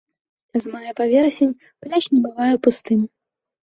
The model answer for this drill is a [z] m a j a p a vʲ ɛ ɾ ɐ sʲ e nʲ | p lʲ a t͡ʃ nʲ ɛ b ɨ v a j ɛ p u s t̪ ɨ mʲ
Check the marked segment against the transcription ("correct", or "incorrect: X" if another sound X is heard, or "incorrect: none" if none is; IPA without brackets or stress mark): correct